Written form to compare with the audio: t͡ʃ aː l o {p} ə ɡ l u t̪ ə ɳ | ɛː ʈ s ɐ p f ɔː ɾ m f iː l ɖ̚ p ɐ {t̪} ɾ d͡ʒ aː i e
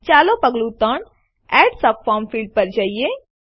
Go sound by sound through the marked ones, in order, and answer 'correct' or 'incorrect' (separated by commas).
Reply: correct, incorrect